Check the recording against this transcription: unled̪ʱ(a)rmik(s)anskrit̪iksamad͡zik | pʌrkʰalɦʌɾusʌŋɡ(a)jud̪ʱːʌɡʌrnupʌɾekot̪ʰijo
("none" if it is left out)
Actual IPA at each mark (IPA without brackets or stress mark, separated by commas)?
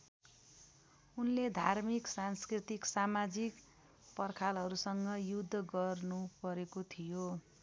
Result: a, s, ʌ